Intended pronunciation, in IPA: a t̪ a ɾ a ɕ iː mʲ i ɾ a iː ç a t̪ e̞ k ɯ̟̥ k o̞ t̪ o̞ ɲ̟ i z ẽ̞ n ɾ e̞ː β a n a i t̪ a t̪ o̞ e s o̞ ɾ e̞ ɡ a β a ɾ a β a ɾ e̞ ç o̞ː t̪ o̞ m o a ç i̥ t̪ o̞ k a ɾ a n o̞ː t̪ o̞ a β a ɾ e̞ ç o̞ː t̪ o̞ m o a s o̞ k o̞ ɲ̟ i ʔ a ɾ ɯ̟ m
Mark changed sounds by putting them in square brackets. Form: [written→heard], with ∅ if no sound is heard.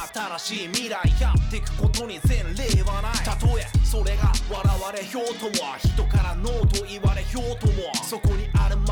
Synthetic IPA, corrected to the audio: a t̪ a ɾ a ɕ iː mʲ i ɾ a [iː→i] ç a t̪ e̞ k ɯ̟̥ k o̞ t̪ o̞ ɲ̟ i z ẽ̞ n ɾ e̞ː β a n a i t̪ a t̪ o̞ e s o̞ ɾ e̞ ɡ a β a ɾ a β a ɾ e̞ ç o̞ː t̪ o̞ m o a ç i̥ t̪ o̞ k a ɾ a n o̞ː t̪ o̞ [a→i] β a ɾ e̞ ç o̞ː t̪ o̞ m o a s o̞ k o̞ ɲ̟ i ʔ a ɾ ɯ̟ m